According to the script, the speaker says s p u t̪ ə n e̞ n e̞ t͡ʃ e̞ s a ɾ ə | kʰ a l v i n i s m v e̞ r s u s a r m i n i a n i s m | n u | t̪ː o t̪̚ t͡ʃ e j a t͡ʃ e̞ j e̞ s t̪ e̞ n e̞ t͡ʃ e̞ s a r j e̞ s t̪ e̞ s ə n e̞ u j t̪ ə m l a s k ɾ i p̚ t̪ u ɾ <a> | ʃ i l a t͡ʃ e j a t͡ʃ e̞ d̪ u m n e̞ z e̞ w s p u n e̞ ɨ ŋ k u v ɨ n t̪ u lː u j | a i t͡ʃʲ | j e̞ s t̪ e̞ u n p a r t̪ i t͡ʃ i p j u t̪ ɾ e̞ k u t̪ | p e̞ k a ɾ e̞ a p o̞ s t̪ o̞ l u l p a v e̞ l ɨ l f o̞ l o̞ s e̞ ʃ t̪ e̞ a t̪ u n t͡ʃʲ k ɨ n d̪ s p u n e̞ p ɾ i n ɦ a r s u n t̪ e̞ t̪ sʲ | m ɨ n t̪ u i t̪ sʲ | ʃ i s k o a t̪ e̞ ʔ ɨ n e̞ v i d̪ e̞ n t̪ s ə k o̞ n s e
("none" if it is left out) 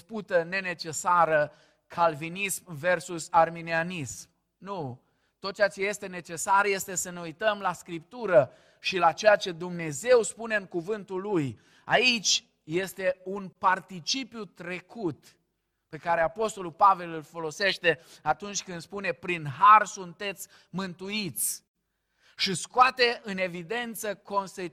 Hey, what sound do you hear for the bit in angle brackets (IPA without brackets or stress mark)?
ə